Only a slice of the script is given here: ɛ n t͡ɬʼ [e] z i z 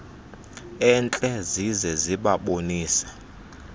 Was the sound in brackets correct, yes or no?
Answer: no